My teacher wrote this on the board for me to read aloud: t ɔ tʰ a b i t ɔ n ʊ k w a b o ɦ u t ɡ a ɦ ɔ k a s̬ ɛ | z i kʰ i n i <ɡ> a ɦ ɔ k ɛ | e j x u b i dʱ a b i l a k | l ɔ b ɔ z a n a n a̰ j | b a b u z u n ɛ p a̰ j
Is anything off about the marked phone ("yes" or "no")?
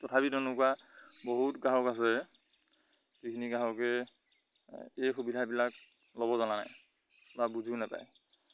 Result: no